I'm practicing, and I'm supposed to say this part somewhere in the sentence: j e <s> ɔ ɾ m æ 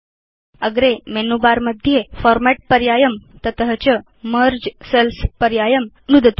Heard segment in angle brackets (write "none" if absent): f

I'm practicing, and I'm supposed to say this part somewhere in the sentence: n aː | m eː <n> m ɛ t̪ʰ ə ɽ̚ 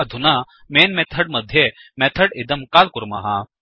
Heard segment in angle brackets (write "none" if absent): n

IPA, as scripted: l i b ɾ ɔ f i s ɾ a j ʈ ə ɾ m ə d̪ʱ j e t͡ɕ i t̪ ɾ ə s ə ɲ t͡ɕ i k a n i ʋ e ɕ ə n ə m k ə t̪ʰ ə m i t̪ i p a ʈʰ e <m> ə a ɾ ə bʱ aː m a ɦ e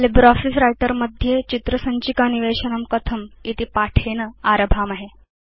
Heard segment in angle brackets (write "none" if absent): n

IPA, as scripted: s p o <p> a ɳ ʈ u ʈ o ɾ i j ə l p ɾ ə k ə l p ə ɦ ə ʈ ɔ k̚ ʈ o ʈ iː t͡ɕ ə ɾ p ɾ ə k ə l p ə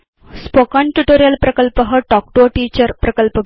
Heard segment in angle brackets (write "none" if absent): k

